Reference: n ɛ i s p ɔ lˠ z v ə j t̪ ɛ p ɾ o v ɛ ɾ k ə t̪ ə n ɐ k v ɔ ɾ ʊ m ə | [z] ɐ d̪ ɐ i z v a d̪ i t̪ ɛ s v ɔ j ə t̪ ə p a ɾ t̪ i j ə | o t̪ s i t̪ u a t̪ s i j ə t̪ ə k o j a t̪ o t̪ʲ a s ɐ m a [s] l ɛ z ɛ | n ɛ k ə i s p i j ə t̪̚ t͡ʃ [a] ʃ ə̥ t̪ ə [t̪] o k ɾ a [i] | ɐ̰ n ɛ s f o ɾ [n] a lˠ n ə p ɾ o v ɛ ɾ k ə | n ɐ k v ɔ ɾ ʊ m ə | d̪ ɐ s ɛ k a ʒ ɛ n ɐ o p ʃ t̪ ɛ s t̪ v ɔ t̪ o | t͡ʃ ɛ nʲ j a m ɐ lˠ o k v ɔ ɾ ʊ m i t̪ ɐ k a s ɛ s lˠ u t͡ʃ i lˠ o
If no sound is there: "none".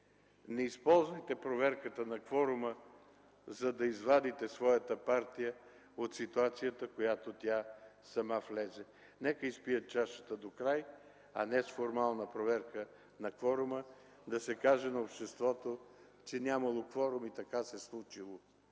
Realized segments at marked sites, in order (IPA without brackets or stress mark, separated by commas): z, f, a, d̪, j, m